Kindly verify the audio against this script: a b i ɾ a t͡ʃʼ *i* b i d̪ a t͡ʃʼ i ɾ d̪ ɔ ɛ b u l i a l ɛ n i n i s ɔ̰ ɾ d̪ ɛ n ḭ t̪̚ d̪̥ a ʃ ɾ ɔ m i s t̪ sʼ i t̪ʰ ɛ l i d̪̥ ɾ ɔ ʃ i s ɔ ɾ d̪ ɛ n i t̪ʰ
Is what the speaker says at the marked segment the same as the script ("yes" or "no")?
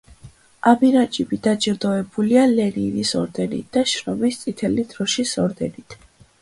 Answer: yes